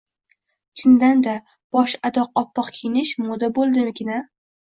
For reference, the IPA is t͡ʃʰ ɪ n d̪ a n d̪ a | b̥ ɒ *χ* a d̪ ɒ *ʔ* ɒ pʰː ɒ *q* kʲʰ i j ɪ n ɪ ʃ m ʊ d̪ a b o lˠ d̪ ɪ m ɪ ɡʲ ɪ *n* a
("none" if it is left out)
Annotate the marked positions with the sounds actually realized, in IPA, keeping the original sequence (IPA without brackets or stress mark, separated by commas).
ʃ, q, q, n